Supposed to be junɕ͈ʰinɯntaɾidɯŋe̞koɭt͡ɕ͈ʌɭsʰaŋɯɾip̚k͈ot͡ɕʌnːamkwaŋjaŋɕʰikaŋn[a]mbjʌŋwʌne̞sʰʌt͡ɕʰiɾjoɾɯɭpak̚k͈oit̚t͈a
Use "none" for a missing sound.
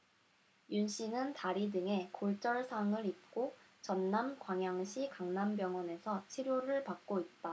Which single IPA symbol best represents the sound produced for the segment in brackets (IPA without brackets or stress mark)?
a